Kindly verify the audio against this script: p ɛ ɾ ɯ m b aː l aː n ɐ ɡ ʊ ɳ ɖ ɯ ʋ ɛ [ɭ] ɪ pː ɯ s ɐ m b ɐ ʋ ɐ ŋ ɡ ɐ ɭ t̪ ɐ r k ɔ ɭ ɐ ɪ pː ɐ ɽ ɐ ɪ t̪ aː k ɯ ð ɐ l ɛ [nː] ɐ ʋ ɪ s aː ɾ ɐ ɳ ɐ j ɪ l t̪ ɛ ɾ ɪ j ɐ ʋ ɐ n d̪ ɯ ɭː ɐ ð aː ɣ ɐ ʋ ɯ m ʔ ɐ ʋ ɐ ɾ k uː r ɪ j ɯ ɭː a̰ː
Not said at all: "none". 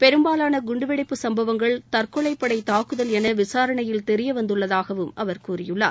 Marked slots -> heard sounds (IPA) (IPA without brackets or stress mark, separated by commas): ɽ, n